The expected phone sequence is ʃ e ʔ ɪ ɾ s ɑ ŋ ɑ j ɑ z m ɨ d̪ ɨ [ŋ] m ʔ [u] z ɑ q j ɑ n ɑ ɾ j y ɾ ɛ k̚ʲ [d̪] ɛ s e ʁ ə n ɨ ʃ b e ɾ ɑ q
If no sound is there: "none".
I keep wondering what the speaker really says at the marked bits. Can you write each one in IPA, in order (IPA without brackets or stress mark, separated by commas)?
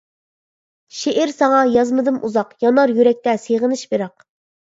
none, u, t̪